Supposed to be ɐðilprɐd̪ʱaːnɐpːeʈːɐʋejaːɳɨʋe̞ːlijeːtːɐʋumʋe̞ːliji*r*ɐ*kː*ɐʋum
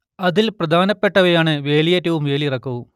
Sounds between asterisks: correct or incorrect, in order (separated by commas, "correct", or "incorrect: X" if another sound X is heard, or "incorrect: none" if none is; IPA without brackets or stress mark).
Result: correct, correct